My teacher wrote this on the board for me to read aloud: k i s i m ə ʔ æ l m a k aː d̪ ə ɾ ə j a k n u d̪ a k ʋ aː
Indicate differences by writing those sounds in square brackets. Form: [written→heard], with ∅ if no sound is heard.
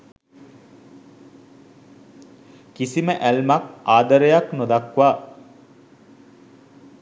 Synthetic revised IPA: k i s i m ə ʔ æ l m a k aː d̪ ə ɾ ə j a k n [u→o] d̪ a k ʋ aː

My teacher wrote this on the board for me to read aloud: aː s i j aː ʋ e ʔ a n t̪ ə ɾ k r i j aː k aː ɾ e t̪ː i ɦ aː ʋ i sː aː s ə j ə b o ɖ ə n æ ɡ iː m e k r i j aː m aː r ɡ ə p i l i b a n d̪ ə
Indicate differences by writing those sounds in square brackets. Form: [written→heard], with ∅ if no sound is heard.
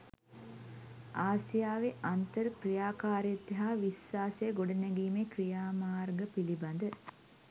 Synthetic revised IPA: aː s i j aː ʋ e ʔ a n t̪ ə ɾ k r i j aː k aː ɾ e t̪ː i ɦ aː ʋ i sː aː s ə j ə [b→ɡ] o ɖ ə n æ ɡ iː m e k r i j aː m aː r ɡ ə p i l i b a n d̪ ə

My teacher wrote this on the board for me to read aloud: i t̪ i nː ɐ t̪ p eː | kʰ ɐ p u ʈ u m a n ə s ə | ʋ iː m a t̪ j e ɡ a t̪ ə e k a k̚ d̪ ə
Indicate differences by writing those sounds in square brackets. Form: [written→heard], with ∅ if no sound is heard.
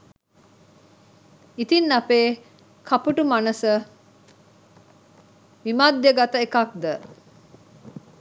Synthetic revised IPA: i t̪ i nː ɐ [t̪→∅] p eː | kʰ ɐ p u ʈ u m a n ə s ə | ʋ [iː→i] m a [t̪→d̪] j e ɡ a t̪ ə e k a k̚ d̪ ə

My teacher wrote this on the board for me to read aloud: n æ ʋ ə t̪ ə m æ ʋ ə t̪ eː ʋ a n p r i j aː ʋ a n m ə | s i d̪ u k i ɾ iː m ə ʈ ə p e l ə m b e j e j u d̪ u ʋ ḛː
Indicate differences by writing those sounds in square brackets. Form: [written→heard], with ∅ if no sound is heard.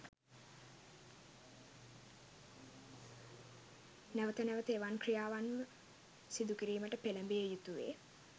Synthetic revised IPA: n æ ʋ ə t̪ ə [m→n] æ ʋ ə t̪ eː ʋ a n [p→k] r i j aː ʋ a n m ə | s i d̪ u k i ɾ iː m ə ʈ ə p e l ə m b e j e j u [d̪→t̪] u ʋ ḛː

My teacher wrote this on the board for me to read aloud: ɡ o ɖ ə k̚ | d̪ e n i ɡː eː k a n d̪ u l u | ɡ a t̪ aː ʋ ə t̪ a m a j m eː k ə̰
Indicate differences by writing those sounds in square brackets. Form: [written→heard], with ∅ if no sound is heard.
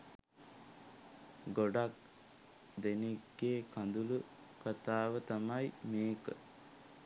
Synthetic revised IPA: ɡ o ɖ [ə→a] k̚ | d̪ e n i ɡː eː k a n d̪ u l u | [ɡ→k] a t̪ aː ʋ ə t̪ a m a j m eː k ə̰

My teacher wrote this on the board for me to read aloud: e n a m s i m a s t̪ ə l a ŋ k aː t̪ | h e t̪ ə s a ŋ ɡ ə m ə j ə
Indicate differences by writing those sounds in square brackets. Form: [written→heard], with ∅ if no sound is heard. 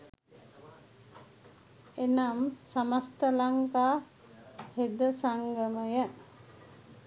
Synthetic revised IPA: e n a m s [i→a] m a s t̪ ə l a ŋ k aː [t̪→∅] | h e [t̪→d̪] ə s a ŋ ɡ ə m ə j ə

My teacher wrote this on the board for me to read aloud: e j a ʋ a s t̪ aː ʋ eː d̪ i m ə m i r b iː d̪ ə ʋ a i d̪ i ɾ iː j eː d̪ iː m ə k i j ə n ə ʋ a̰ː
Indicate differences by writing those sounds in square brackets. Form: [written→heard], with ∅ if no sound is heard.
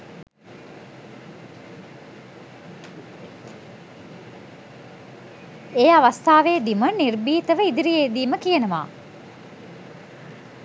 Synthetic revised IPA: e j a ʋ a s t̪ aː ʋ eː d̪ i m ə [m→n] i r b iː [d̪→t̪] ə ʋ [a→ə] i d̪ i ɾ [iː→i] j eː d̪ iː m ə k i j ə n ə ʋ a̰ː

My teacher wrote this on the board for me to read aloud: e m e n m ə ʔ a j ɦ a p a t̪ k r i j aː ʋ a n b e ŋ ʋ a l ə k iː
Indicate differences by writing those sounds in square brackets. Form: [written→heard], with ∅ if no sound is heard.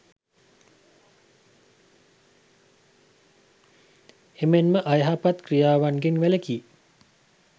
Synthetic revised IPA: e m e n m ə ʔ a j ɦ a p a t̪ k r i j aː ʋ a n [b→ɡ] e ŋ ʋ [a→æ] l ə k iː

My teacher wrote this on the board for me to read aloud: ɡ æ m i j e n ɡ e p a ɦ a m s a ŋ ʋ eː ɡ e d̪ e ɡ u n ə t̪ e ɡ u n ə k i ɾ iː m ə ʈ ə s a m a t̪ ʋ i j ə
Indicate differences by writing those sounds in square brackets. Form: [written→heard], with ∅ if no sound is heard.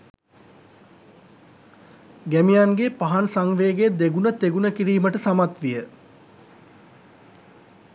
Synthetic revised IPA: ɡ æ m i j [e→a] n ɡ e p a ɦ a [m→n] s a ŋ ʋ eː ɡ e d̪ e ɡ u n ə t̪ e ɡ u n ə k i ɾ iː m ə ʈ ə s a m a t̪ ʋ i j ə

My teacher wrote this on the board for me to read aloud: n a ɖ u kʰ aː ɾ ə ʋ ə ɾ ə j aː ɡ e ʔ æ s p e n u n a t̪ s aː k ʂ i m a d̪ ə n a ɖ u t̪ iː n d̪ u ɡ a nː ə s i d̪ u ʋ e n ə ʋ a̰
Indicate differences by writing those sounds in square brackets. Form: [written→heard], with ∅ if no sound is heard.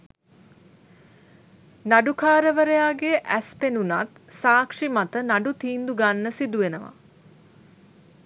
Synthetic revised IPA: n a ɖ u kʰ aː ɾ ə ʋ ə ɾ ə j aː ɡ e ʔ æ s p e n u n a t̪ s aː k ʂ i m a [d̪→t̪] ə n a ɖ u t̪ iː n d̪ u ɡ a nː ə s i d̪ u ʋ e n ə ʋ a̰

